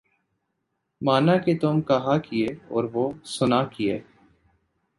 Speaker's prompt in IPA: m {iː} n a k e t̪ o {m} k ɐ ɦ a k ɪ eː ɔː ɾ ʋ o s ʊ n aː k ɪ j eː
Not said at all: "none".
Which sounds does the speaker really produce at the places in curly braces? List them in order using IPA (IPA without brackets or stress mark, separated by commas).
aː, m